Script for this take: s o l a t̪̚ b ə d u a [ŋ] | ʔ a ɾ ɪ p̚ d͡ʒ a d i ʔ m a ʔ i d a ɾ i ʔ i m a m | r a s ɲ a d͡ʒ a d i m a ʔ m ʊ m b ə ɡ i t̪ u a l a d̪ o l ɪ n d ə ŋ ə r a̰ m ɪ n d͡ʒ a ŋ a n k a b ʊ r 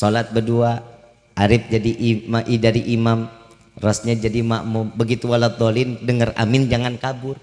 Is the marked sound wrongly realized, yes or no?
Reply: yes